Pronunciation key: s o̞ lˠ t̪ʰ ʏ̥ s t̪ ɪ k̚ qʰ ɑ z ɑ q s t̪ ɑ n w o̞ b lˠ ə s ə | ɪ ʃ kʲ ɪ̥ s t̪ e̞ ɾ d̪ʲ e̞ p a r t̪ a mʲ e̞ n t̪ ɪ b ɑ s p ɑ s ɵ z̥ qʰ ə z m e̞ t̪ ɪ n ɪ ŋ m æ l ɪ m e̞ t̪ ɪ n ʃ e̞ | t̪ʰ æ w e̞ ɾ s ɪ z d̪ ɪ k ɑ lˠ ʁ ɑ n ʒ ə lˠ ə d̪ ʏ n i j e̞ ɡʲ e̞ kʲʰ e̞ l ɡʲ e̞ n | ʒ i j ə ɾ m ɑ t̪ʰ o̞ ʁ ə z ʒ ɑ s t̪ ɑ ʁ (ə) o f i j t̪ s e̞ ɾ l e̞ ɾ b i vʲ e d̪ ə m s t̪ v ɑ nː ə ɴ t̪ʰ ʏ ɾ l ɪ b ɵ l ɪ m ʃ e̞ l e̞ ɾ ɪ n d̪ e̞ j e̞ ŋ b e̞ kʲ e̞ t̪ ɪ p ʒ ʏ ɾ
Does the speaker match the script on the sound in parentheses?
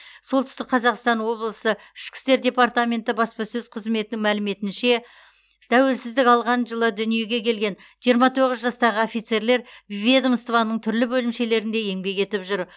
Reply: yes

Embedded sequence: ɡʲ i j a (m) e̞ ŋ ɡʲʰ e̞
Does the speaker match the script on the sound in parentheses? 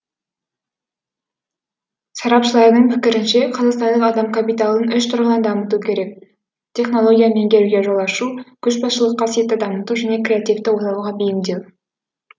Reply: yes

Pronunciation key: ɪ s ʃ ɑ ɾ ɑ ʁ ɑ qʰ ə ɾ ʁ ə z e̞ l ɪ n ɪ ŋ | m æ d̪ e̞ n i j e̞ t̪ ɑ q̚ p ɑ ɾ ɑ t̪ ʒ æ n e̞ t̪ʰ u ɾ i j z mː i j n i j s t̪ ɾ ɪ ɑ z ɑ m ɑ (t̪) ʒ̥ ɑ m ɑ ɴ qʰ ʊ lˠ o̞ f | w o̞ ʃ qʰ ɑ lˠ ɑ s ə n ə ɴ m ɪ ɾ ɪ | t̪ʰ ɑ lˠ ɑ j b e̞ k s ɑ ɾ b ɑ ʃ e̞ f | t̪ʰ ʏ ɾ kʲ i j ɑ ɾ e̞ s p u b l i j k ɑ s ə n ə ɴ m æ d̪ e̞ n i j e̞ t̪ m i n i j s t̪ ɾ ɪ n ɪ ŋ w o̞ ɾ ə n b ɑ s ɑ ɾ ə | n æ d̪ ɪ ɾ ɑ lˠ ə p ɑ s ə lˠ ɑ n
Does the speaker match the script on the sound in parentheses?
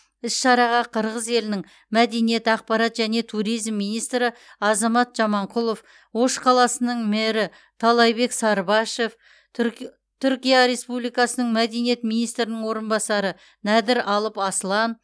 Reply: yes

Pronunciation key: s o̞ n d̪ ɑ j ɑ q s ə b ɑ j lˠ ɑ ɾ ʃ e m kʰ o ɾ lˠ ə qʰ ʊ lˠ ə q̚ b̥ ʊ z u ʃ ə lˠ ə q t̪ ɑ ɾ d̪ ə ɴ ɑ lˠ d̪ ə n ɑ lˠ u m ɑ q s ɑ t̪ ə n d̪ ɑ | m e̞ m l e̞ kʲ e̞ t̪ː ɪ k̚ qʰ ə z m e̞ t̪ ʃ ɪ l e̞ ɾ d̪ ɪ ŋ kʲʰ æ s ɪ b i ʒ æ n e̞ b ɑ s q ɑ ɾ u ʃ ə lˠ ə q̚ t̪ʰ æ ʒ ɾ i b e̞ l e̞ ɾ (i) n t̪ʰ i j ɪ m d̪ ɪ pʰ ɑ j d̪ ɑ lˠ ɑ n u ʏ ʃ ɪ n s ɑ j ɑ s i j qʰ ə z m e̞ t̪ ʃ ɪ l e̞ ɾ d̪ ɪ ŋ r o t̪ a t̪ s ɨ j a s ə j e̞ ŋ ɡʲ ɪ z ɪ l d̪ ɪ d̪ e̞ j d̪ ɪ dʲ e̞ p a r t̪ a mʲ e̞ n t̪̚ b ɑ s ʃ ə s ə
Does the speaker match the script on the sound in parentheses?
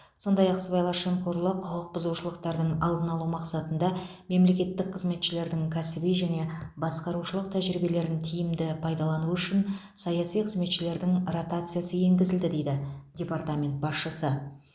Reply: no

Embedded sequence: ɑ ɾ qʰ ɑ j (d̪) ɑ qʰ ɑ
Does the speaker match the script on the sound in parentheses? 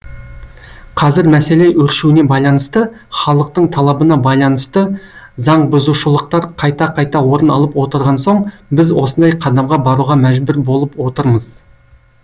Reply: no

